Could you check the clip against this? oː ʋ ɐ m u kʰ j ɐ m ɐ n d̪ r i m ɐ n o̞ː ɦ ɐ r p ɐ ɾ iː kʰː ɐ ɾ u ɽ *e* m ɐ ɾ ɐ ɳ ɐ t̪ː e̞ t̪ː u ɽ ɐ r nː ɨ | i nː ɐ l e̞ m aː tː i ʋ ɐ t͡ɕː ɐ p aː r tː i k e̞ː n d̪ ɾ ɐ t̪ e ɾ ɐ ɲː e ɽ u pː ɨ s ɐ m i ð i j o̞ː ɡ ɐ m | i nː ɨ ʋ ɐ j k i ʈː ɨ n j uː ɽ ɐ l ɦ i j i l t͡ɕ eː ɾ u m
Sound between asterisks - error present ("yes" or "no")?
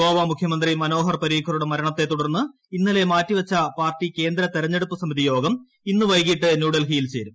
no